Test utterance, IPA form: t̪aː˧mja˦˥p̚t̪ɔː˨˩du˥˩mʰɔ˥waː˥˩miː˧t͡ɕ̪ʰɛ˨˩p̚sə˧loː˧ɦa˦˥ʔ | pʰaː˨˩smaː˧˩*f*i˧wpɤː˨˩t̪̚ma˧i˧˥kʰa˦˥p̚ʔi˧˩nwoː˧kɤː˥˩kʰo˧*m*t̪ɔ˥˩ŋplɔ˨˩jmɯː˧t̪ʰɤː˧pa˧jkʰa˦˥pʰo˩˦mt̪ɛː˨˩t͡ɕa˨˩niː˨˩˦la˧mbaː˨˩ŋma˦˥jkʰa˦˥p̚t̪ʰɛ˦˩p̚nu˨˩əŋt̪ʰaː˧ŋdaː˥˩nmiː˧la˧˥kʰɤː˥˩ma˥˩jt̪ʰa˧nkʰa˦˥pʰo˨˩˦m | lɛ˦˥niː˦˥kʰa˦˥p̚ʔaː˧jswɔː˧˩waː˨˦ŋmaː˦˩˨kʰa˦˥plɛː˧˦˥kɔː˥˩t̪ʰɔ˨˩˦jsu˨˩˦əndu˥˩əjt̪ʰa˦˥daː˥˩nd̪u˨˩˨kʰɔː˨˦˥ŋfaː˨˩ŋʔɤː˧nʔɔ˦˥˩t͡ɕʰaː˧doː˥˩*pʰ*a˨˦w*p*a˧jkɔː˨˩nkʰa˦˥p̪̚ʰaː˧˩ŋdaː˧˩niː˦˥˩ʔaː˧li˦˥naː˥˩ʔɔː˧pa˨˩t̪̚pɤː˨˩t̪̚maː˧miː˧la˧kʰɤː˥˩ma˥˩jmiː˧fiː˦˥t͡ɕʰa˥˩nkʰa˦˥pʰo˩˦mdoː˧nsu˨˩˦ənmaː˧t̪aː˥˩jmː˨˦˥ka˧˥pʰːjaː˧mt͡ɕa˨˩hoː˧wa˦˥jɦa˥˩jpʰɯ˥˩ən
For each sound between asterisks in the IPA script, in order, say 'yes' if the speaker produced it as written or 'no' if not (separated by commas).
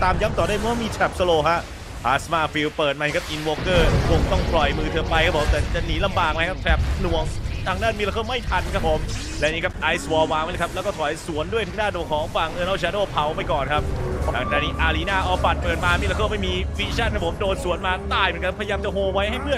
yes, no, yes, yes